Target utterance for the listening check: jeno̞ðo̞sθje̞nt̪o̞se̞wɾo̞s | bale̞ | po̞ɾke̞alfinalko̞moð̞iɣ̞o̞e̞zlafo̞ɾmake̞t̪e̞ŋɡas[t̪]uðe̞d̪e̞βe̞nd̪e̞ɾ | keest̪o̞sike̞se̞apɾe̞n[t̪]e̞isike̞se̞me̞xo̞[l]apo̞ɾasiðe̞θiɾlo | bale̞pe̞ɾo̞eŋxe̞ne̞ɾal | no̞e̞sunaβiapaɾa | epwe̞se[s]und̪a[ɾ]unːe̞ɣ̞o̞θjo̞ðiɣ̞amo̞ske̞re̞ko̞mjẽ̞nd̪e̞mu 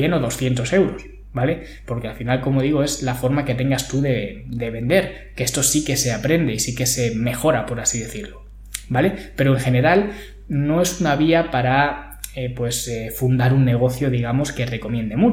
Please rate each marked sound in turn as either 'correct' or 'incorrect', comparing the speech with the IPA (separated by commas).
correct, incorrect, incorrect, incorrect, correct